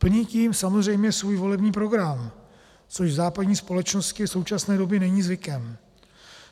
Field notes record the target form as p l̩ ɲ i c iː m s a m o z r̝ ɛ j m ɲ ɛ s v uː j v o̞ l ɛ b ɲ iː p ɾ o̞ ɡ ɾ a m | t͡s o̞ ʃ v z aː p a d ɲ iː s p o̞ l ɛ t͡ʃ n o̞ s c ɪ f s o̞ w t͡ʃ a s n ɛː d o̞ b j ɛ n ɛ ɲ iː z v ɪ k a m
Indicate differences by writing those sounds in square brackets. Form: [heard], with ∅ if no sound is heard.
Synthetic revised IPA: p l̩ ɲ i c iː m s a m o z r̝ ɛ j m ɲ ɛ s v uː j v o̞ l ɛ b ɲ iː p ɾ o̞ ɡ ɾ a m | t͡s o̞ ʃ v z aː p a d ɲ iː s p o̞ l ɛ t͡ʃ n o̞ s c ɪ f s o̞ w t͡ʃ a s n ɛː d o̞ b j ɛ n ɛ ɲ iː z v ɪ k [ɛ] m